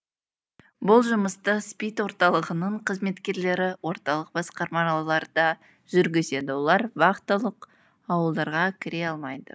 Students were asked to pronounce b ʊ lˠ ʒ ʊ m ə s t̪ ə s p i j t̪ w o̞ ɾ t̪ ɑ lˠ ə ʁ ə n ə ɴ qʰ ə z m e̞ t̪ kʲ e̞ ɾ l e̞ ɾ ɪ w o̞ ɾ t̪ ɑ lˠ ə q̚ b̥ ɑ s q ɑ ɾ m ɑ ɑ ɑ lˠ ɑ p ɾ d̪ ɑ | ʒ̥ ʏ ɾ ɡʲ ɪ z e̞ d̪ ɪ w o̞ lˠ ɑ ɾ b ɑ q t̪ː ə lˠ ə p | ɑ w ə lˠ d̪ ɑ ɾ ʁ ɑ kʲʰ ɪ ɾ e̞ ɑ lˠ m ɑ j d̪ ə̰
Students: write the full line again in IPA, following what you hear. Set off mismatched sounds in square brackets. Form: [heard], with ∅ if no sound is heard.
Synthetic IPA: b ʊ lˠ ʒ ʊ m ə s t̪ ə s p i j t̪ w o̞ ɾ t̪ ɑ lˠ ə ʁ ə n ə ɴ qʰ ə z m e̞ t̪ kʲ e̞ ɾ l e̞ ɾ ɪ w o̞ ɾ t̪ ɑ lˠ ə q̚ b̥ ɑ s q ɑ ɾ m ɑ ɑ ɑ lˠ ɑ [∅] ɾ d̪ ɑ | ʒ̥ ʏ ɾ ɡʲ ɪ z e̞ d̪ ɪ w o̞ lˠ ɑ ɾ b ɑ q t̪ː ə lˠ ə [q] | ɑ w ə lˠ d̪ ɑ ɾ ʁ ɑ kʲʰ ɪ ɾ e̞ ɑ lˠ m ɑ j d̪ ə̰